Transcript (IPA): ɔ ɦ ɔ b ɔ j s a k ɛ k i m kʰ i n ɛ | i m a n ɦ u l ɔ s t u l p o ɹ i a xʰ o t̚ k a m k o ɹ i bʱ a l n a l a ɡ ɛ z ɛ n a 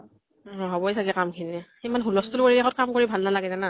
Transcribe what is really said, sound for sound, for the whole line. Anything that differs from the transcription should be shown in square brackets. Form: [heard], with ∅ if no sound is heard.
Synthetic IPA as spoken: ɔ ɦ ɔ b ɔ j s a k ɛ k [a] m kʰ i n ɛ | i m a n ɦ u l ɔ s t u l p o ɹ i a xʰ [ɔ] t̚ k a m k o ɹ i bʱ a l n a l a ɡ ɛ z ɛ n a